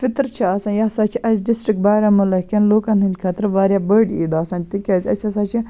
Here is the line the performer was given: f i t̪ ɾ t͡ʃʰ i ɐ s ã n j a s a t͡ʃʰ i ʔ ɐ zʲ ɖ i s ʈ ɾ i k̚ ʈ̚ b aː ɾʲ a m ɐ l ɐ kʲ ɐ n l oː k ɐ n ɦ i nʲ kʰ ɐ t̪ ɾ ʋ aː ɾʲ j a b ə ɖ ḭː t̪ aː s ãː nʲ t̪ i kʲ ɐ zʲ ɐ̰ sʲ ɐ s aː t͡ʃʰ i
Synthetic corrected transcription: f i t̪ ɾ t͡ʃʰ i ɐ s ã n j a s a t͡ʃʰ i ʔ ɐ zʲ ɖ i s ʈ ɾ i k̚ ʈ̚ b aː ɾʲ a m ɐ l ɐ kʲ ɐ n l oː k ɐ n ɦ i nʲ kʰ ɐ t̪ ɾ ʋ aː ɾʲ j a b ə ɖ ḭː d̪ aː s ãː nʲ t̪ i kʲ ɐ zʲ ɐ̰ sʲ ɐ s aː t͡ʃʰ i